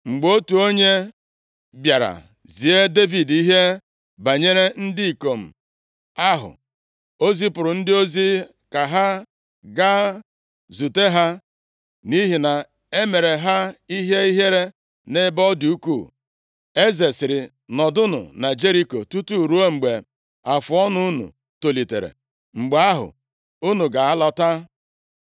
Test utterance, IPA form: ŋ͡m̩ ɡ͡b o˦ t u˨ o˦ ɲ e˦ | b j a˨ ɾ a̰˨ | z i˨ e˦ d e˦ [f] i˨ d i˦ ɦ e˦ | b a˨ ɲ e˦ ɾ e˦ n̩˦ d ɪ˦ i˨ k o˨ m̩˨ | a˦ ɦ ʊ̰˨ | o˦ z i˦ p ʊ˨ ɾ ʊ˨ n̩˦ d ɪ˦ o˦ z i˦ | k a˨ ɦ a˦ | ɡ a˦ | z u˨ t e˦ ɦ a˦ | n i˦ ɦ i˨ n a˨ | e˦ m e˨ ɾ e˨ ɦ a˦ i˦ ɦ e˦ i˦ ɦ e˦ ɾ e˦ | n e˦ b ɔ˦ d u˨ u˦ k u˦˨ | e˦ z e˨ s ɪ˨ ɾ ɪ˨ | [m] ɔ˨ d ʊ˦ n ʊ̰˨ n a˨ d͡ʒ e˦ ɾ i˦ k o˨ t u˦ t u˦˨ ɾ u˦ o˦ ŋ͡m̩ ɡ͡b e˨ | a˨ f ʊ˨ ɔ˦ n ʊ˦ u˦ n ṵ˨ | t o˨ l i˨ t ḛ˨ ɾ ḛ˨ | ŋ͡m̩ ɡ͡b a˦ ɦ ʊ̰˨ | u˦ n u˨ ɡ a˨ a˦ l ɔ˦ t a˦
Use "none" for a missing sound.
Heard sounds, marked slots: v, n

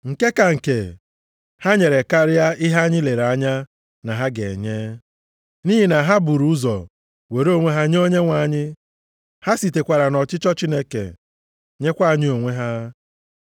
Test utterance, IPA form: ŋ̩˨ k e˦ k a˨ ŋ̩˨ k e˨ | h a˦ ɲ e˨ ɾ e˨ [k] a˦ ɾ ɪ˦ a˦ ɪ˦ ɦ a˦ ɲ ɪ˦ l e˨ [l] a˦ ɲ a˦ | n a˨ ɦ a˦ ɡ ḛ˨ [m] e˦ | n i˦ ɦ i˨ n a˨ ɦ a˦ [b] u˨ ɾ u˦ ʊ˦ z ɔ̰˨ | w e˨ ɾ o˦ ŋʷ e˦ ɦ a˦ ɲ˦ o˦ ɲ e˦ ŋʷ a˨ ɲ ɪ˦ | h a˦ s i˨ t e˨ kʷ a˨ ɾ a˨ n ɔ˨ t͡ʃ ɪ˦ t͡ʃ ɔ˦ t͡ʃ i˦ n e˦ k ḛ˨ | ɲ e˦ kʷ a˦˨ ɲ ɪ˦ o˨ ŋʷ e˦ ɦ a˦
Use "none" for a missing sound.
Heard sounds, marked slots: k, ɾ, ɲ, b

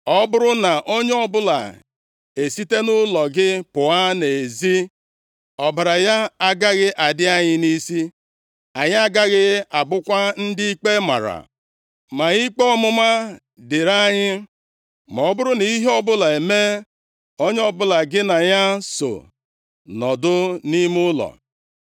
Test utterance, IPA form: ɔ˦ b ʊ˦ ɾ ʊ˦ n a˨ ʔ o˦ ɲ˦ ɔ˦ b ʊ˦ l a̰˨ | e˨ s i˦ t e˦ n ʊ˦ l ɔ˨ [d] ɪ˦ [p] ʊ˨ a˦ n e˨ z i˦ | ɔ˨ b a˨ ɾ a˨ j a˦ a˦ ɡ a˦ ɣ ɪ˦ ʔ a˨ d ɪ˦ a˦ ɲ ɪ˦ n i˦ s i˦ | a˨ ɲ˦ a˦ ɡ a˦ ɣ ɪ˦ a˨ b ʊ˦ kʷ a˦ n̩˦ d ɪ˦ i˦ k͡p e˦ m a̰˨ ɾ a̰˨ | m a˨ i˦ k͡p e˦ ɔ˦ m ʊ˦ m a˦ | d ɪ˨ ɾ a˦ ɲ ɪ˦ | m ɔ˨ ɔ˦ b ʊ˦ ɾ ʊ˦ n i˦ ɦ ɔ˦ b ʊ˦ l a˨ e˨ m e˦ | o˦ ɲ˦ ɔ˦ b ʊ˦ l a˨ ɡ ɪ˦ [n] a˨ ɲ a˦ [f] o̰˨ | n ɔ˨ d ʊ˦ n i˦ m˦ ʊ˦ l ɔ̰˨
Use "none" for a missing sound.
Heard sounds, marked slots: ɡ, p, n, s

